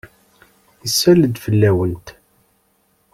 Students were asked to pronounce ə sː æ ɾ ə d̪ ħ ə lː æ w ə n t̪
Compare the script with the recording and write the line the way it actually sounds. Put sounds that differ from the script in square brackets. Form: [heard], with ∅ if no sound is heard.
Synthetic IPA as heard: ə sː æ [l] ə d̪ [f] ə lː æ w ə n t̪